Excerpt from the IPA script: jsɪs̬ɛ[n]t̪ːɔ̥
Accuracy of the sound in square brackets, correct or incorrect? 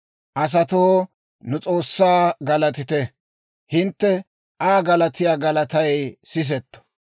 incorrect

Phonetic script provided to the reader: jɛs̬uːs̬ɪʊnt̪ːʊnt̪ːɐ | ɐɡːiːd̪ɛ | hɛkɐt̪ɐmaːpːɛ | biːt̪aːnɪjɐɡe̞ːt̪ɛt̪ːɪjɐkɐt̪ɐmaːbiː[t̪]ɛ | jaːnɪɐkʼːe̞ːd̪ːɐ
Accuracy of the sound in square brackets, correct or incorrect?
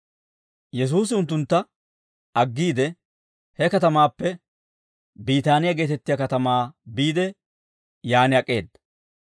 incorrect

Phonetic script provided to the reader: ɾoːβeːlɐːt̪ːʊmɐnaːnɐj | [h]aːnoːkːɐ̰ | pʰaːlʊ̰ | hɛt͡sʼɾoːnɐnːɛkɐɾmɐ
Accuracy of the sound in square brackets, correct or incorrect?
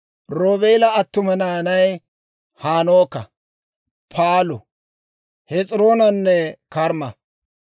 correct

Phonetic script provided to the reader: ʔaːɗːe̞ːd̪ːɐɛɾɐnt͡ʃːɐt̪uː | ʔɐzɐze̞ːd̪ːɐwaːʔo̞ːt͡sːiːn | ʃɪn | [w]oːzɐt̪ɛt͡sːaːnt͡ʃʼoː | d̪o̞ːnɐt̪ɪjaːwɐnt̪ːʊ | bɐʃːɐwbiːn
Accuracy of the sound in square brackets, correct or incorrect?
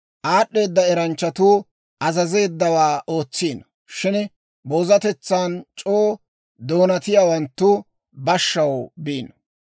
incorrect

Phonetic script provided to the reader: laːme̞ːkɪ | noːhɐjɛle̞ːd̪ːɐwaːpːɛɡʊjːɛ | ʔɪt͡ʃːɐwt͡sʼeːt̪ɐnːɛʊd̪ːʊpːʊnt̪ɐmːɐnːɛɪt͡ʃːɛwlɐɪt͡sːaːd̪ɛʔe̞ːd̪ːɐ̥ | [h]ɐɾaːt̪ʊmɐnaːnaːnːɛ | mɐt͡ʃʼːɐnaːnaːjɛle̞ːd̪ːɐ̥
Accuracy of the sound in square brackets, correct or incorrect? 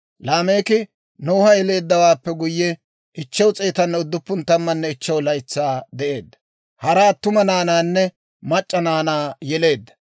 correct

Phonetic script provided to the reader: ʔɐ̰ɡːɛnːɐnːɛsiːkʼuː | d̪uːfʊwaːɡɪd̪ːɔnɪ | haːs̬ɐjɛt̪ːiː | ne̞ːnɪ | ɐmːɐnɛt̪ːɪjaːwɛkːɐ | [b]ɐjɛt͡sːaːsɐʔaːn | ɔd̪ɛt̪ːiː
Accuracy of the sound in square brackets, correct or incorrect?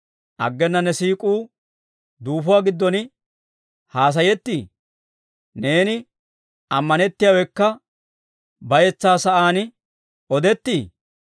correct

